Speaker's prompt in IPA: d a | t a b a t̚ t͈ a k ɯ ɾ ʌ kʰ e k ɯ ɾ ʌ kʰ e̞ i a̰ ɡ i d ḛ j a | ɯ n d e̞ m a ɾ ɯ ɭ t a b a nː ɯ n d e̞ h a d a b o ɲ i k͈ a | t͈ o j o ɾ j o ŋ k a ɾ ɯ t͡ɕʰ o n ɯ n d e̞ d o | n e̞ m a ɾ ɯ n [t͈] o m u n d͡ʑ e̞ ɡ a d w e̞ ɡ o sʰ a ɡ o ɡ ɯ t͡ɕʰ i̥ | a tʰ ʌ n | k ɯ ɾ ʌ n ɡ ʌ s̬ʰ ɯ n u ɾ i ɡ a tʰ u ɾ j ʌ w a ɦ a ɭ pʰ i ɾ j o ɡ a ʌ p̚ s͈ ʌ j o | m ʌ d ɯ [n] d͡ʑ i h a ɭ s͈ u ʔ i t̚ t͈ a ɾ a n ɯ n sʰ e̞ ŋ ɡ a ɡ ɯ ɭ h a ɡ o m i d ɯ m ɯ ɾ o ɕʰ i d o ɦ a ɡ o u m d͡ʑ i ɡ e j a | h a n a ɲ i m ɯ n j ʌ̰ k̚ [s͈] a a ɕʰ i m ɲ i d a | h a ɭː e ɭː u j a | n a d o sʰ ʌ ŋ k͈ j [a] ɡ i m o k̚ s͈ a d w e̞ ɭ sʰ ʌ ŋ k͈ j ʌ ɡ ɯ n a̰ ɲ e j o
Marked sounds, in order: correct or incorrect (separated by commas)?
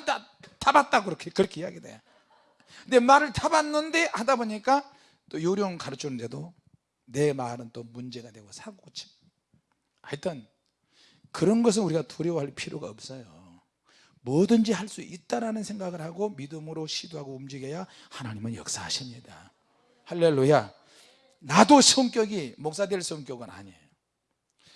correct, correct, correct, incorrect